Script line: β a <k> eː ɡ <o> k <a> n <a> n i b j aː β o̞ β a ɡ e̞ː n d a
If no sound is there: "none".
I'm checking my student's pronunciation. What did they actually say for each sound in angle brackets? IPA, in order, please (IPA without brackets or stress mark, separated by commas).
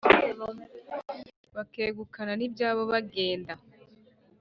k, u, a, a